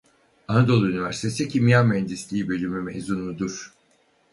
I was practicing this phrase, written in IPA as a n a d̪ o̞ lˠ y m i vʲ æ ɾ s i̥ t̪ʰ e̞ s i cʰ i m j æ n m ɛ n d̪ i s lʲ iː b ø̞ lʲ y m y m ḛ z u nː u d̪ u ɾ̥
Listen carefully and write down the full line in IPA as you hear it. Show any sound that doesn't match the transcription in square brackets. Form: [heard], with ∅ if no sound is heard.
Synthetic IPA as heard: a n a d̪ o̞ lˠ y [n] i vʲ æ ɾ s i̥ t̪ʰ e̞ s i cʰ i m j [a] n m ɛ n d̪ i s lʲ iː b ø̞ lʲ y m y m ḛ z u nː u d̪ u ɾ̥